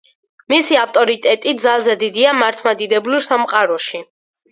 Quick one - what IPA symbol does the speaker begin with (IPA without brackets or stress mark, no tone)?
m